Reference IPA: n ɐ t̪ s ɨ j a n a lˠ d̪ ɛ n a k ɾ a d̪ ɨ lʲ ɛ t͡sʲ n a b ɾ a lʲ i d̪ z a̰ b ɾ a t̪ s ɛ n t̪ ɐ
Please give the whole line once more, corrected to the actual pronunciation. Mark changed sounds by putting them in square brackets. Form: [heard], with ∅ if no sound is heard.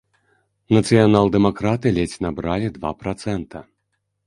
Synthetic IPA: n ɐ t̪ s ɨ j a n a lˠ d̪ ɛ [m] a k ɾ a [t̪] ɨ lʲ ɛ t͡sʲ n a b ɾ a lʲ i d̪ [v] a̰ [p] ɾ a t̪ s ɛ n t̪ ɐ